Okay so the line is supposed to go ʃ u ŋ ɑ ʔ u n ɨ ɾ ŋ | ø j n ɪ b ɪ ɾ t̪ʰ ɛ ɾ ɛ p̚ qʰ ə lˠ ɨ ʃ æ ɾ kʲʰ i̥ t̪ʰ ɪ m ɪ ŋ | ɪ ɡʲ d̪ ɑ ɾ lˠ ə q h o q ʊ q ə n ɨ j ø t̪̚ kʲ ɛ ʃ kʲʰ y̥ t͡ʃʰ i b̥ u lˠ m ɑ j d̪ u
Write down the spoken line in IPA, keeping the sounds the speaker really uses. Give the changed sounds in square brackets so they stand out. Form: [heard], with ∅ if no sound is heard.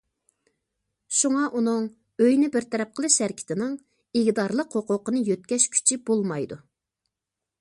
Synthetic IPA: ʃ u ŋ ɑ ʔ u n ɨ [∅] ŋ | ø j n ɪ b ɪ ɾ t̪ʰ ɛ ɾ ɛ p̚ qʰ ə lˠ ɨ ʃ æ ɾ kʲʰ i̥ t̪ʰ ɪ [n] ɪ ŋ | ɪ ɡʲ d̪ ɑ ɾ lˠ ə q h o q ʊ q ə n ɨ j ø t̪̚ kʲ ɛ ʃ kʲʰ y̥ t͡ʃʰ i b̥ [o] lˠ m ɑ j d̪ u